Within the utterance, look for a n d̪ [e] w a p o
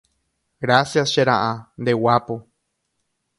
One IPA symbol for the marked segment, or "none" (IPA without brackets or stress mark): e